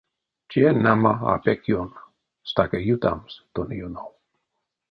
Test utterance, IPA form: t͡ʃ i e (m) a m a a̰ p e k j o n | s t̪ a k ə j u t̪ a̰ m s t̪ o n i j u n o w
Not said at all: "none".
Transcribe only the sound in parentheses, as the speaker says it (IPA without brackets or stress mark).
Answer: n